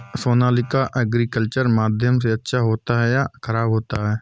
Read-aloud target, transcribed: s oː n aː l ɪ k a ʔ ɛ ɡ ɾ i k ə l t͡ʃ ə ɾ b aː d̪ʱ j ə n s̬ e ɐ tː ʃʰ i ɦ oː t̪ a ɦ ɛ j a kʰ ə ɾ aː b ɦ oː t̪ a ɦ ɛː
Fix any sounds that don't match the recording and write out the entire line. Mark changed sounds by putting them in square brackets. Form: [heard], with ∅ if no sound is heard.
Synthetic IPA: s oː n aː l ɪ k a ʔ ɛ ɡ ɾ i k ə l t͡ʃ ə ɾ [m] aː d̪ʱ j ə [m] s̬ e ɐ tː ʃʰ [a] ɦ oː t̪ a ɦ ɛ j a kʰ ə ɾ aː b ɦ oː t̪ a ɦ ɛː